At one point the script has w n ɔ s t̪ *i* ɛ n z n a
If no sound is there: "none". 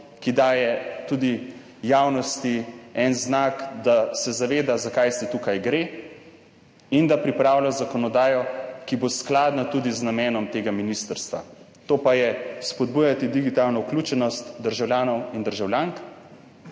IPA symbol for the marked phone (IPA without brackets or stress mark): i